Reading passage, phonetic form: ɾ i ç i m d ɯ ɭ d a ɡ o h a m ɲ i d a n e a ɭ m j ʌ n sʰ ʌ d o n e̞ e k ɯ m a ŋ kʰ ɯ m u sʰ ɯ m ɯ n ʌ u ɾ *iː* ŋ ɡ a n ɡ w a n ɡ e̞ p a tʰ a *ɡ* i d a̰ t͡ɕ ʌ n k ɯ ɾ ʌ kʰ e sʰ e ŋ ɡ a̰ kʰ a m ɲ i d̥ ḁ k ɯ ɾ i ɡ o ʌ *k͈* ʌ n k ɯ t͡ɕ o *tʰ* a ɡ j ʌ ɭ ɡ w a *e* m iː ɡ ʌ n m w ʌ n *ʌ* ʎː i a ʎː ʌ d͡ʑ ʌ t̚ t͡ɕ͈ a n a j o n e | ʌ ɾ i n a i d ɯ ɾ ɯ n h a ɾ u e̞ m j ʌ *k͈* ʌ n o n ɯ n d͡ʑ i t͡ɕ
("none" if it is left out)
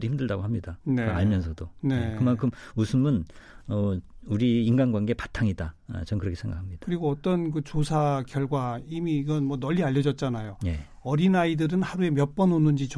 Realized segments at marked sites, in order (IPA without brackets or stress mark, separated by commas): iː, ŋ, t͈, sʰ, i, ʌ, p͈